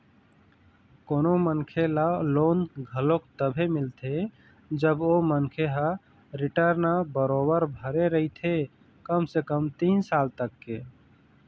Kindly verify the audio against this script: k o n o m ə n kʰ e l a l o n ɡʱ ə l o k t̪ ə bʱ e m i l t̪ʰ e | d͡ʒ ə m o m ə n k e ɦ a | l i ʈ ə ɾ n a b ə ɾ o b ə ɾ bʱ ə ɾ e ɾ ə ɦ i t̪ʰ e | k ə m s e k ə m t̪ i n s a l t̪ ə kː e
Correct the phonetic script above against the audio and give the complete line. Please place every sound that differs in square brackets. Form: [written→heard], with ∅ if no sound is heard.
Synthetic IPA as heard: k o n o m ə n kʰ e l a l o n ɡʱ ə l o k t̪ ə bʱ e m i l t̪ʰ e | d͡ʒ ə [m→b] o m ə n [k→kʰ] e ɦ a | [l→ɾ] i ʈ ə ɾ n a b ə ɾ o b ə ɾ bʱ ə ɾ e ɾ ə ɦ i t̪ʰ e | k ə m s e k ə m t̪ i n s a l t̪ ə kː e